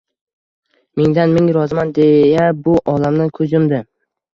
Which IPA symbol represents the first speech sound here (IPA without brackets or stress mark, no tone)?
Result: m